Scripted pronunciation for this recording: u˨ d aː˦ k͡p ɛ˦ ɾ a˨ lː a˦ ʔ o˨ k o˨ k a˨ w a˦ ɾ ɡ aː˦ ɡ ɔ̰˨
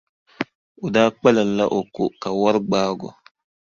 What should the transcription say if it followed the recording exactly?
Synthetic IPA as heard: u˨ d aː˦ k͡p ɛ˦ l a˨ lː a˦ ʔ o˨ k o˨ k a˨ w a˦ ɾ ɡ͡b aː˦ ɡ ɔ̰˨